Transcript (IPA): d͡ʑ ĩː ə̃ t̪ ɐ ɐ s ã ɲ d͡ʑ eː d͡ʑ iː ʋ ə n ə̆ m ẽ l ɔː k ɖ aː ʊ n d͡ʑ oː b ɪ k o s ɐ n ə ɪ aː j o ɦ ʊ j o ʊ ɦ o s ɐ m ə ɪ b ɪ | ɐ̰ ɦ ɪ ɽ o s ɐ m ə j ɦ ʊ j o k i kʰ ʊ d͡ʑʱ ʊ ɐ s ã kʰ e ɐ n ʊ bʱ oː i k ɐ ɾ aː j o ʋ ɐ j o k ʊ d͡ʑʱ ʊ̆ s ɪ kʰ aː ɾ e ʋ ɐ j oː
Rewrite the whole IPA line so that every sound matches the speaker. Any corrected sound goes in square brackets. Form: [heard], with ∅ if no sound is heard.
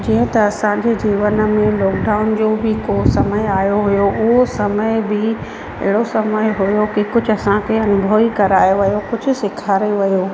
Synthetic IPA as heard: d͡ʑ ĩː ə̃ t̪ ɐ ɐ s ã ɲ d͡ʑ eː d͡ʑ iː ʋ ə n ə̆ m ẽ l ɔː k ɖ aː ʊ n d͡ʑ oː b ɪ k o s ɐ [m] ə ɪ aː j o ɦ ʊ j o ʊ ɦ o s ɐ m ə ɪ b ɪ | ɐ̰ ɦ ɪ ɽ o s ɐ m ə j ɦ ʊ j o k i [k] ʊ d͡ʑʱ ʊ ɐ s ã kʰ e ɐ n ʊ bʱ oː i k ɐ ɾ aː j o ʋ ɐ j o k ʊ d͡ʑʱ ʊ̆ s ɪ kʰ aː ɾ e ʋ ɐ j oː